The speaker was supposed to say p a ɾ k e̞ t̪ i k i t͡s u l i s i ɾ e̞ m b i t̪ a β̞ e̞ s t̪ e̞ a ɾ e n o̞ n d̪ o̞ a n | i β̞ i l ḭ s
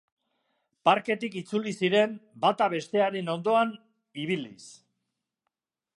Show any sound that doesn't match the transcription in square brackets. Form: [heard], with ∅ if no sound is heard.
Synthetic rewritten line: p a ɾ k e̞ t̪ i k i t͡s u l i s i ɾ e̞ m b [a] t̪ a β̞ e̞ s t̪ e̞ a ɾ e n o̞ n d̪ o̞ a n | i β̞ i l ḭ s